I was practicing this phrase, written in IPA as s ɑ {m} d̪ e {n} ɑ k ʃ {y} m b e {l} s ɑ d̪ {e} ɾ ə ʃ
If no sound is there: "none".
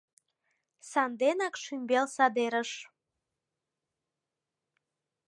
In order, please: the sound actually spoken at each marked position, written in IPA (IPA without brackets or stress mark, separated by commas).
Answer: n, n, y, l, e